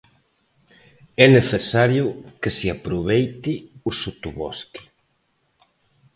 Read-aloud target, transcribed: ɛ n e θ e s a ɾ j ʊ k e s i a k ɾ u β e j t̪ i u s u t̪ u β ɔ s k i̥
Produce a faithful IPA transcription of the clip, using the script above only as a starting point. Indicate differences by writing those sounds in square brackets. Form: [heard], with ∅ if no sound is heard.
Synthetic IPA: ɛ n e θ e s a ɾ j ʊ k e s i a [p] ɾ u β e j t̪ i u s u t̪ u β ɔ s k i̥